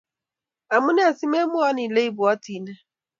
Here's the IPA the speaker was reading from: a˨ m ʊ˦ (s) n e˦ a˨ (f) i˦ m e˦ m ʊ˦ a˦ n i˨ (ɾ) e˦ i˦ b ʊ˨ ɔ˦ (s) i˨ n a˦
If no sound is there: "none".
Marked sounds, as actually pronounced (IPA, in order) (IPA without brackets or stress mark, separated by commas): none, s, l, t